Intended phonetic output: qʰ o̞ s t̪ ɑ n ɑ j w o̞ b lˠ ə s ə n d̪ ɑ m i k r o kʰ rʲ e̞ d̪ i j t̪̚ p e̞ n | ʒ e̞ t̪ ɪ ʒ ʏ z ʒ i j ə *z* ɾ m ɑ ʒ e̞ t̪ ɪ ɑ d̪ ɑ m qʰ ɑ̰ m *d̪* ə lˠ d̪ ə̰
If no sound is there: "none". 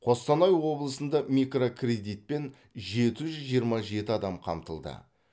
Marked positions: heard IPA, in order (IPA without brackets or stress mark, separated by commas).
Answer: none, t̪